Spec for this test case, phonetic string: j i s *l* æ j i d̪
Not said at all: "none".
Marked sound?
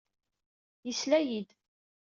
l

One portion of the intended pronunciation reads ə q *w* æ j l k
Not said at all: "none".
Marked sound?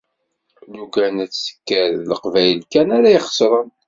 v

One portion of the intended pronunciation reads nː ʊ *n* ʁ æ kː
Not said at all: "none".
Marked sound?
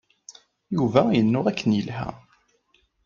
none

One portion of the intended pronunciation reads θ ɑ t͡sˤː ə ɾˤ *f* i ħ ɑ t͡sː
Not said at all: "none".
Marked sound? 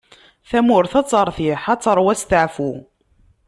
θ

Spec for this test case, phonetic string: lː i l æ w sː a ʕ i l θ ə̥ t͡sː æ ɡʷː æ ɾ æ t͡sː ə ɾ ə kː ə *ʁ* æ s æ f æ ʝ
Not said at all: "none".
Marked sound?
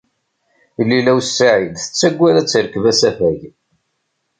v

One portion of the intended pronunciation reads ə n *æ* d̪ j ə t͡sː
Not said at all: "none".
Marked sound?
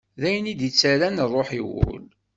i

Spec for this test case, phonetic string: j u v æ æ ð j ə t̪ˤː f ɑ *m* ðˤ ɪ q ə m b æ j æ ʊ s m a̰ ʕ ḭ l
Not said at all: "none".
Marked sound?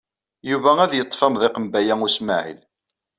m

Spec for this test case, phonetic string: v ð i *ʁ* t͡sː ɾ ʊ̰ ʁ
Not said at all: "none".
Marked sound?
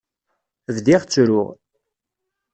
ʁ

